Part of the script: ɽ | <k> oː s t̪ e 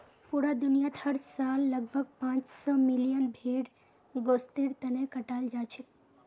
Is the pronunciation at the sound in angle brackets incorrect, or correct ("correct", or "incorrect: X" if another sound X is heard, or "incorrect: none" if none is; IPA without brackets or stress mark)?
incorrect: ɡ